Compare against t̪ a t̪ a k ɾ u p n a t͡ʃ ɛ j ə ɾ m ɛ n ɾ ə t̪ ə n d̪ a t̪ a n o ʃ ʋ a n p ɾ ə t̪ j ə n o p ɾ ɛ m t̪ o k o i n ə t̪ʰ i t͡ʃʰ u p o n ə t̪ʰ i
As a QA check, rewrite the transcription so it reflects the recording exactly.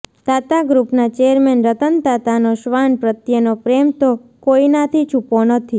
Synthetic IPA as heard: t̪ a t̪ a ɡ ɾ u p n a t͡ʃ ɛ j ə ɾ m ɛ n ɾ ə t̪ ə n t̪ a t̪ a n o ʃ ʋ a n p ɾ ə t̪ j ə n o p ɾ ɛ m t̪ o k o i n a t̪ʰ i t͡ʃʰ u p o n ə t̪ʰ i